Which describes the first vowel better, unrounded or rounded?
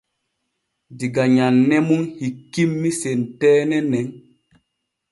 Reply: unrounded